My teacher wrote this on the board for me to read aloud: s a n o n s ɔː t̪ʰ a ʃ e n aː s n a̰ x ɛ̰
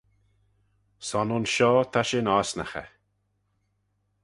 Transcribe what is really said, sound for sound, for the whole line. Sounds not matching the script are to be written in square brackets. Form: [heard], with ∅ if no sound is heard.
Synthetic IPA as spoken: s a n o n [ʃ] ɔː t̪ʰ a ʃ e n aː s n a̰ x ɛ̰